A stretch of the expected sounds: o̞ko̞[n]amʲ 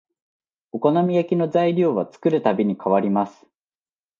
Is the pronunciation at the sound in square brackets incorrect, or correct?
correct